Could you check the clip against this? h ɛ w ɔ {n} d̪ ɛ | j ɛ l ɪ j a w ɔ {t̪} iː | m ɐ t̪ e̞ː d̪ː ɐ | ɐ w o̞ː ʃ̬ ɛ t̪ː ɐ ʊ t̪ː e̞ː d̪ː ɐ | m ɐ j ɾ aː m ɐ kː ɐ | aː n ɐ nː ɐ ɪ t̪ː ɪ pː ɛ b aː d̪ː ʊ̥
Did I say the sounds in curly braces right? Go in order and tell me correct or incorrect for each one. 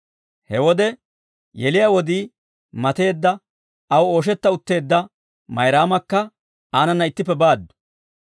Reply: incorrect, incorrect

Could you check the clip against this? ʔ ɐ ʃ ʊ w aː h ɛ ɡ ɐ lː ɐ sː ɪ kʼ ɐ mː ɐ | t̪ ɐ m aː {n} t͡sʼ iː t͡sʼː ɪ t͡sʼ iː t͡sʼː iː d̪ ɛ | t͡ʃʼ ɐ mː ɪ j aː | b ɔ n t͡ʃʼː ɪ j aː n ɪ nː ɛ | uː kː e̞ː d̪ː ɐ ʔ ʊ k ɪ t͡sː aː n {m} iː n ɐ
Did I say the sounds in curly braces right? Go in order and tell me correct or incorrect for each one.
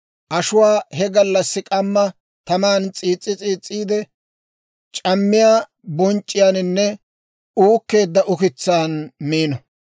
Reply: correct, correct

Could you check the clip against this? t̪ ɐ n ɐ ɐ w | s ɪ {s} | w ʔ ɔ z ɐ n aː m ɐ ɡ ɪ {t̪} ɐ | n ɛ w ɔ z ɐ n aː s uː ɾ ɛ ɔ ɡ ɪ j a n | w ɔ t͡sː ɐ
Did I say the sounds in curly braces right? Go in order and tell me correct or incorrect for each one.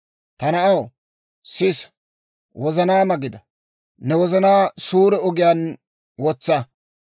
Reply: correct, incorrect

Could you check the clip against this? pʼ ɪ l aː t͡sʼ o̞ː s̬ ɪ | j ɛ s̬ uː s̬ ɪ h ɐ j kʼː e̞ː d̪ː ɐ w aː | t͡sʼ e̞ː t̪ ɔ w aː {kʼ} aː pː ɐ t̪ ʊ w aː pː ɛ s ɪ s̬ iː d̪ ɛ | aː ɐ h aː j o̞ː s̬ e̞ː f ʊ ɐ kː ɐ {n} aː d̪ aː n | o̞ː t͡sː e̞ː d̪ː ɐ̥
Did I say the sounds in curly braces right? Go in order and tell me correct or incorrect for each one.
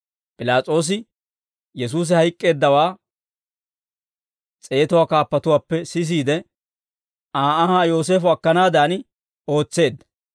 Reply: incorrect, correct

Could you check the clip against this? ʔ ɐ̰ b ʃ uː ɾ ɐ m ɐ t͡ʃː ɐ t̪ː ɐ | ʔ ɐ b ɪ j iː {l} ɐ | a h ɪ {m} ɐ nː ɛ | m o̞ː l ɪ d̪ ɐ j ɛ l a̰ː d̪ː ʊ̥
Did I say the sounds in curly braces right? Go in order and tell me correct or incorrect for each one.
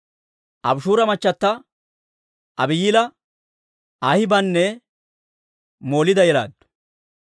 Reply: correct, incorrect

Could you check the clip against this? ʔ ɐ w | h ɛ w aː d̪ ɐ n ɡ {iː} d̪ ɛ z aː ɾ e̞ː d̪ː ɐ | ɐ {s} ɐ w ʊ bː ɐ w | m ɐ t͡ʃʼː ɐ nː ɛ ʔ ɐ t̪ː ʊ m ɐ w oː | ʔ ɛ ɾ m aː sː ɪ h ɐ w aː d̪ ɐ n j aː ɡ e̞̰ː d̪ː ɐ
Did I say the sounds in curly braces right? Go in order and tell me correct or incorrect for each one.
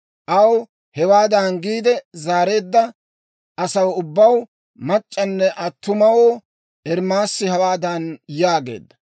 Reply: correct, correct

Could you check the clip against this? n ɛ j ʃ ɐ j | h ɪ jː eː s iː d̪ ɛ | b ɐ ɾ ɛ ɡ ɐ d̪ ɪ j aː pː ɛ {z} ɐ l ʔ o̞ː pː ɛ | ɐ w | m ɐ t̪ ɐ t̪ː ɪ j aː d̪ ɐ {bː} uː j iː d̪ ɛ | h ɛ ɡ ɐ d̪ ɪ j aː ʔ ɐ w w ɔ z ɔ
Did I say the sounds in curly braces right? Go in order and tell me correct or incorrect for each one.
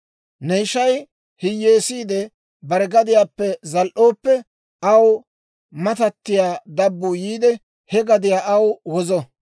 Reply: correct, correct

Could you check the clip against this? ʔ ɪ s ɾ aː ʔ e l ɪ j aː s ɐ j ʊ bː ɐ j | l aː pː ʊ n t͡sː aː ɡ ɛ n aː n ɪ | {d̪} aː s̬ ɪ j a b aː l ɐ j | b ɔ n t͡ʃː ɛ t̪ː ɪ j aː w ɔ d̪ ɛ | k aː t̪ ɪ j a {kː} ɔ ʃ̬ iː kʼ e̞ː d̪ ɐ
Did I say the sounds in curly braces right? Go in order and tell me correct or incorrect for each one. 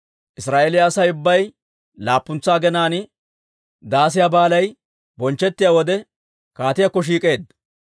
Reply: correct, correct

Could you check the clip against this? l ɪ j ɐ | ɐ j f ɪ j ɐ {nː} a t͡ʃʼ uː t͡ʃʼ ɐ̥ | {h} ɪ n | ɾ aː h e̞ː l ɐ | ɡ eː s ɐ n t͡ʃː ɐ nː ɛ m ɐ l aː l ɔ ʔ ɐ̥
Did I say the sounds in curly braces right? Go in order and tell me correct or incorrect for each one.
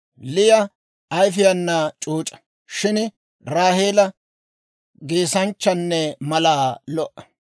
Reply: correct, incorrect

